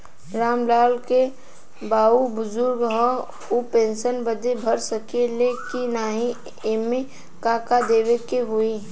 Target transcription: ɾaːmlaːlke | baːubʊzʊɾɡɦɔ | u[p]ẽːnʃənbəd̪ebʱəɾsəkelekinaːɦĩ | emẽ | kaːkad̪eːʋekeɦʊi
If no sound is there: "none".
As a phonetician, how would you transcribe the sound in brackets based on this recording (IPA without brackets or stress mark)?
p